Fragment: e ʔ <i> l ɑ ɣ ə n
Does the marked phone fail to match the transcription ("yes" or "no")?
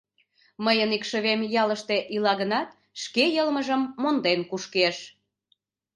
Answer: no